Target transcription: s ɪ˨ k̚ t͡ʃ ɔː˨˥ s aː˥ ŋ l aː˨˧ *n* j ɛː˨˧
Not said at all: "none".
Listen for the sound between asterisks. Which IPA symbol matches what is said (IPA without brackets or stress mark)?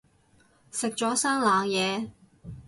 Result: ŋ